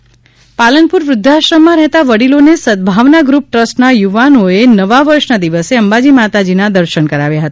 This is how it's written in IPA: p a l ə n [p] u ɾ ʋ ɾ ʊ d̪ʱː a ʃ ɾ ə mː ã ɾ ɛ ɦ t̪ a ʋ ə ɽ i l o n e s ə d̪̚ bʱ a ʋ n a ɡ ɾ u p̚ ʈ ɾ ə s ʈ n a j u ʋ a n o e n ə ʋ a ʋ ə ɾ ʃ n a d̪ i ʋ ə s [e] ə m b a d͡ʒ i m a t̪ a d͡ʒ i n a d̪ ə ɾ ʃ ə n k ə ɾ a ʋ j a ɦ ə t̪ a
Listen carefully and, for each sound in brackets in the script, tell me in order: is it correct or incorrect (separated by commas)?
correct, correct